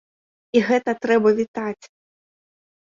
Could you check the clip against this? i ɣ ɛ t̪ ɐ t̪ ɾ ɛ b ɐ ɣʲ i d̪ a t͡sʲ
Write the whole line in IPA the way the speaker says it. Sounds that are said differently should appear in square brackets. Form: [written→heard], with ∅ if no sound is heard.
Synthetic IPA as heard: i ɣ ɛ t̪ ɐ t̪ ɾ ɛ b ɐ [ɣʲ→vʲ] i [d̪→t̪] a t͡sʲ